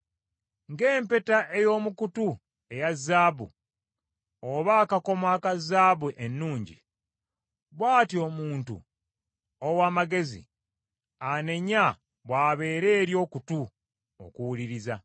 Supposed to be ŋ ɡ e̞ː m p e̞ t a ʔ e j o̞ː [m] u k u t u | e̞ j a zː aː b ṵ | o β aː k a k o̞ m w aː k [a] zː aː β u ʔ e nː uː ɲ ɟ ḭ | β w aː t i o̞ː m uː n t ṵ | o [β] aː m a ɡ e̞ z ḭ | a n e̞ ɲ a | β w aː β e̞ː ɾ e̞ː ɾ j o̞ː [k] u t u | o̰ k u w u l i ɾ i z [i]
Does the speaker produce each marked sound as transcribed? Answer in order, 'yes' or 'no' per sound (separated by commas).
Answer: yes, yes, no, yes, no